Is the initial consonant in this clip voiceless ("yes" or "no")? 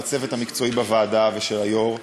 yes